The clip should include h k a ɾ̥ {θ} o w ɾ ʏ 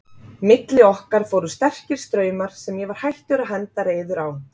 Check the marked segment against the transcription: incorrect: f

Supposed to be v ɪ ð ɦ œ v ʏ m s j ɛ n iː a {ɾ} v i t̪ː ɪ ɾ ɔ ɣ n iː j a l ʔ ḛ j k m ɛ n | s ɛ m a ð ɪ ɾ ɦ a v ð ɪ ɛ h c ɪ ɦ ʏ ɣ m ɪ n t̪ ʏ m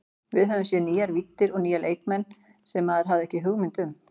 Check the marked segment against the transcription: correct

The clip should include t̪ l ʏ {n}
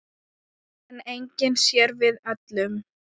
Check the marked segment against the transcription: incorrect: m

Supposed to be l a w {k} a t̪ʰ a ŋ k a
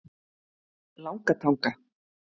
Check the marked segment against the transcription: correct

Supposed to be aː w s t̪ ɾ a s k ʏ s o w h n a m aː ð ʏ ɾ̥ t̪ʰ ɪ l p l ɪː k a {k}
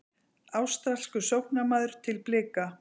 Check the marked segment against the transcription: incorrect: none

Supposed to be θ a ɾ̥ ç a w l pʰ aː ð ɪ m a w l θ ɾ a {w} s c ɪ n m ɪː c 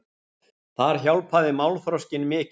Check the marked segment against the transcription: correct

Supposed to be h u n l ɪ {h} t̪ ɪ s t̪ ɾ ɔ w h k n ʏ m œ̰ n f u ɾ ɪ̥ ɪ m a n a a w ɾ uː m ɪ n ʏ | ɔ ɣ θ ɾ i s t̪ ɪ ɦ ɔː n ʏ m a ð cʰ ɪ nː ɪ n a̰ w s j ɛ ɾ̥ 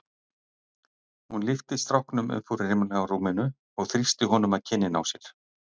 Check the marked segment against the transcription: incorrect: f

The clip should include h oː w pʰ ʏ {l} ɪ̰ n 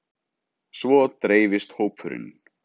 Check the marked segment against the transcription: incorrect: ɾ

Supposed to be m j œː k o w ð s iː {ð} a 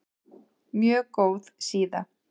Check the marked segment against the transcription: correct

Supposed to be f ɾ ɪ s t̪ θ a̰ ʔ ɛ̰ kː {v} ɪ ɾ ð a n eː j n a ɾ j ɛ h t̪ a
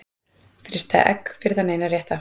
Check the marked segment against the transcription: incorrect: f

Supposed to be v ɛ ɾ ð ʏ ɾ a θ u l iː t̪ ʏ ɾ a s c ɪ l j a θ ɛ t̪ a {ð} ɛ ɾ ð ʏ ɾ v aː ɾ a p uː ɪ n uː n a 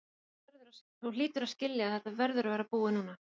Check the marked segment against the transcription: incorrect: v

